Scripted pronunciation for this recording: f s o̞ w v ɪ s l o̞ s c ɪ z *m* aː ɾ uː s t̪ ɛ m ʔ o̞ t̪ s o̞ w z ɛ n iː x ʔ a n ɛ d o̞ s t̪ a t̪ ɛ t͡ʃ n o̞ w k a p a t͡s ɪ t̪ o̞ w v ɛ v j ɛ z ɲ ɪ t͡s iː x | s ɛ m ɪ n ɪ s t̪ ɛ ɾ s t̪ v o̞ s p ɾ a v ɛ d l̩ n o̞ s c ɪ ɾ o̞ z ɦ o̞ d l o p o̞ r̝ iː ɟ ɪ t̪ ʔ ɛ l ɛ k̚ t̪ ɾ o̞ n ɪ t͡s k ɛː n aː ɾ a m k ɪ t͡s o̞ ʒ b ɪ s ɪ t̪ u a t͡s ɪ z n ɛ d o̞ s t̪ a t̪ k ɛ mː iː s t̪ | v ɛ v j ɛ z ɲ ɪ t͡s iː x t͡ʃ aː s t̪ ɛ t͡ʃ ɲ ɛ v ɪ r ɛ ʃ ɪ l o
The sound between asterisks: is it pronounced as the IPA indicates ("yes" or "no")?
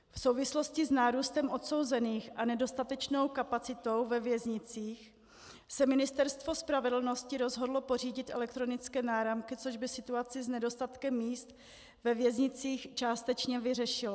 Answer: no